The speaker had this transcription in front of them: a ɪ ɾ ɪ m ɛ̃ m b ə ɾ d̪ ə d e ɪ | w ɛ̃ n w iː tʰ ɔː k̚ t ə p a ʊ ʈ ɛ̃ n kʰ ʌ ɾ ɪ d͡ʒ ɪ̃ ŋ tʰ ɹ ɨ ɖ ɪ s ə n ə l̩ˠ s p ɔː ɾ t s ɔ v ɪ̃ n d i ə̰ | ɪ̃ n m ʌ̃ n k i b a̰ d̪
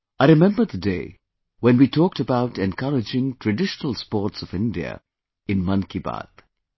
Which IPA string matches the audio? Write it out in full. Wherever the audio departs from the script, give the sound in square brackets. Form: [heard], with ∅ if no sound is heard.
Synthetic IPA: a ɪ ɾ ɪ m ɛ̃ m b ə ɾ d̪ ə d e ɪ | w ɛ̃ n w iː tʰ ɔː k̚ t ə [b] a ʊ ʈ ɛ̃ n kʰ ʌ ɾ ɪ d͡ʒ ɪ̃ ŋ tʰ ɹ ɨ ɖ ɪ [ʃ] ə n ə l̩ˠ s p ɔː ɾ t s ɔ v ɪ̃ n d i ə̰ | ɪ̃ n m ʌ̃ n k i b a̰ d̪